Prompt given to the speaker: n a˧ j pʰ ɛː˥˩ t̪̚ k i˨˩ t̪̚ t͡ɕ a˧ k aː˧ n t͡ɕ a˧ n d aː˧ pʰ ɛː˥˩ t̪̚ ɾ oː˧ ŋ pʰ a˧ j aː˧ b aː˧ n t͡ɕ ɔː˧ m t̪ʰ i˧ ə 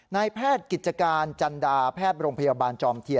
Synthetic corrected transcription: n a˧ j pʰ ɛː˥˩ t̪̚ k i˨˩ t̪̚ t͡ɕ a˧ k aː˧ n t͡ɕ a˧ n d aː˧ pʰ ɛː˥˩ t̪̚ ɾ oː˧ ŋ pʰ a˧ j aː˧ b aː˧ n t͡ɕ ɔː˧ m t̪ʰ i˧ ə